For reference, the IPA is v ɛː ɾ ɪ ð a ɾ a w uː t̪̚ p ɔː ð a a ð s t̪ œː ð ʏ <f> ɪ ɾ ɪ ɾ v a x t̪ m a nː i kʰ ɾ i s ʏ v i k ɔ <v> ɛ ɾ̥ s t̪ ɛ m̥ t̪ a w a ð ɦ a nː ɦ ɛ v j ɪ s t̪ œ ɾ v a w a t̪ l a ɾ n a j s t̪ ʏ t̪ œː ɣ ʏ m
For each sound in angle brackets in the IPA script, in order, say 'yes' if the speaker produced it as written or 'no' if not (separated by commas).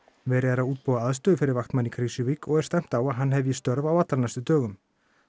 yes, no